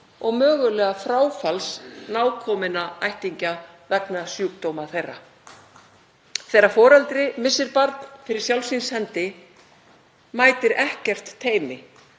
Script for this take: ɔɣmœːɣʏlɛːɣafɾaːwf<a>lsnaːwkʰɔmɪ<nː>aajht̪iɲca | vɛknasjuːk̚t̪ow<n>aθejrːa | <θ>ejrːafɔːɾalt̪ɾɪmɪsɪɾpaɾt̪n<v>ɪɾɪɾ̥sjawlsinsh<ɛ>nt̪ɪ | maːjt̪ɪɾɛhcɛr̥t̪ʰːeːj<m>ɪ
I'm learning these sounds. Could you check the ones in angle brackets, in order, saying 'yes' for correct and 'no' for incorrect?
yes, no, no, yes, no, yes, yes

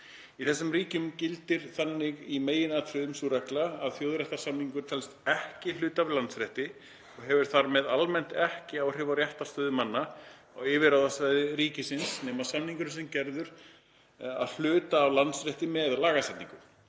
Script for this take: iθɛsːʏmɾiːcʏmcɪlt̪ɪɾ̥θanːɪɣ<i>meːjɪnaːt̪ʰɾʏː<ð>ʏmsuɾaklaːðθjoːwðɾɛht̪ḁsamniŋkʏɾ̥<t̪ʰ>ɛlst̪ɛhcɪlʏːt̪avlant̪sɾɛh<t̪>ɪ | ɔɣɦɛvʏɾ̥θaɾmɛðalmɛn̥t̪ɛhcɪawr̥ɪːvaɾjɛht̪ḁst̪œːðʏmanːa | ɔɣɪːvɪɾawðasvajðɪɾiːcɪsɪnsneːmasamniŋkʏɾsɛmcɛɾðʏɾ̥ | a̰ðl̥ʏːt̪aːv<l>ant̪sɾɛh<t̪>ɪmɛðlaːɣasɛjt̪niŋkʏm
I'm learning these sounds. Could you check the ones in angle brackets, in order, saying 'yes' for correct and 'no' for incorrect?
yes, yes, yes, yes, yes, yes

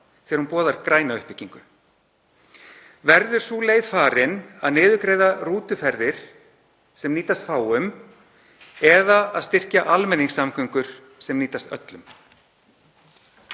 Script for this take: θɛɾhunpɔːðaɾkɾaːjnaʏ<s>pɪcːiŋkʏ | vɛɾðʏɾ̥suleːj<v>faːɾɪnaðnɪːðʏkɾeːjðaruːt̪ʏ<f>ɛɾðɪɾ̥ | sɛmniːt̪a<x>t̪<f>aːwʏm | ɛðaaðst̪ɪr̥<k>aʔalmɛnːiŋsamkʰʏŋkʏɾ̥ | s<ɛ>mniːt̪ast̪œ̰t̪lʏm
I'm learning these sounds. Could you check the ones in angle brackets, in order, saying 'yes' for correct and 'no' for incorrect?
no, no, yes, no, yes, no, yes

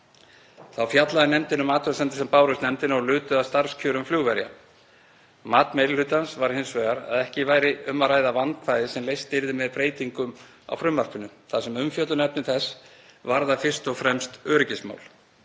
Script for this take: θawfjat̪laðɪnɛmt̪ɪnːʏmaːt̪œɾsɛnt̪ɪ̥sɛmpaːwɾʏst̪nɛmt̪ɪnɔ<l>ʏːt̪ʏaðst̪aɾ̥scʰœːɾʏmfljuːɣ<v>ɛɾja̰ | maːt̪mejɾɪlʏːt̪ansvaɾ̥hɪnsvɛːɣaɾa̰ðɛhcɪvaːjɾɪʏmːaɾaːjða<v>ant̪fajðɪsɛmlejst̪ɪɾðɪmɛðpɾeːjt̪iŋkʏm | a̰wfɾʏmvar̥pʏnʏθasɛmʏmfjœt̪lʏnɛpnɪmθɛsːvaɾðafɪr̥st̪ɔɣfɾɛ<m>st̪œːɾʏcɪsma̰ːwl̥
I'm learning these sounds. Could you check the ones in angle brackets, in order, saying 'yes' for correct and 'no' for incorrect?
yes, yes, yes, yes

